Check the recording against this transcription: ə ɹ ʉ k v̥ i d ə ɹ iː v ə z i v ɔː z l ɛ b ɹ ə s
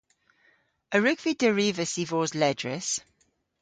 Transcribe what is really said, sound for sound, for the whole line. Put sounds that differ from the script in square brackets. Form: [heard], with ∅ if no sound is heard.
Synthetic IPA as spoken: ə ɹ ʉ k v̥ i d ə ɹ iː v ə [s] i v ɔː z l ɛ [d] ɹ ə s